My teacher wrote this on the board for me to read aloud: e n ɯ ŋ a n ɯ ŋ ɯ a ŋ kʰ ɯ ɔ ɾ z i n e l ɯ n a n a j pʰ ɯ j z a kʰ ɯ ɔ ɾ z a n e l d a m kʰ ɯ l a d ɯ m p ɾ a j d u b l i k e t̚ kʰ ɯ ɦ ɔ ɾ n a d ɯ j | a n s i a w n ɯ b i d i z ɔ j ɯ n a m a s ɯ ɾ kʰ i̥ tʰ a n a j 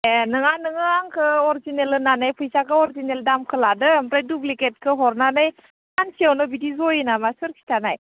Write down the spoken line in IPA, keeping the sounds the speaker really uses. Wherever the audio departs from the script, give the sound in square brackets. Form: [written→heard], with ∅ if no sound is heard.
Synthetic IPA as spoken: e n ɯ ŋ a n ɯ ŋ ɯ a ŋ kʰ ɯ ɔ ɾ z i n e l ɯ n a n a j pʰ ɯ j [z→s] a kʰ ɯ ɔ ɾ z [a→i] n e l d a m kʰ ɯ l a d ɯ m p ɾ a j d u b l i k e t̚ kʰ ɯ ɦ ɔ ɾ n a [d→n] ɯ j | a n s i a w n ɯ b i d i z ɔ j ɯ n a m a s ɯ ɾ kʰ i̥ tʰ a n a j